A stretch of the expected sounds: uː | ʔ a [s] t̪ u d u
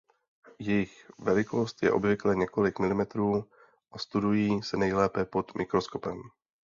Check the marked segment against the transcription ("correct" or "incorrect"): correct